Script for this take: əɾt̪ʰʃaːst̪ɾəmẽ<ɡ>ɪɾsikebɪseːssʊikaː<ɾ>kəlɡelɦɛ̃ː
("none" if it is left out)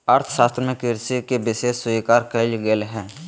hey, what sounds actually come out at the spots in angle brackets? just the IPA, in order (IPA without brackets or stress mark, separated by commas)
k, ɾ